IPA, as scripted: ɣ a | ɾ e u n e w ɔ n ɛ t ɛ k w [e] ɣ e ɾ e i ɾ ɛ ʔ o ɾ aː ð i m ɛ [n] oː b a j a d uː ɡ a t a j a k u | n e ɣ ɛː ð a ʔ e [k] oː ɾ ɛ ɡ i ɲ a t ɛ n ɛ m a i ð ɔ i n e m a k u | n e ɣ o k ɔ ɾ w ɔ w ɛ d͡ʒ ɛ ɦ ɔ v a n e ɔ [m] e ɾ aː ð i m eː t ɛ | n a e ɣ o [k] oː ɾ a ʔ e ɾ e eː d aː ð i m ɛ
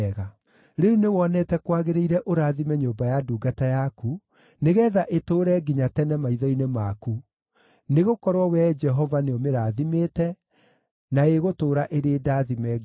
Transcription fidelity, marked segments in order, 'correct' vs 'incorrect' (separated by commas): incorrect, incorrect, incorrect, correct, incorrect